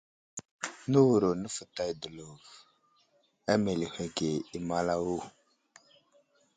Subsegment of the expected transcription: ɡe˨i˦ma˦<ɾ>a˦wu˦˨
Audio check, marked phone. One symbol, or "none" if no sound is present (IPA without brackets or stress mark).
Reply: l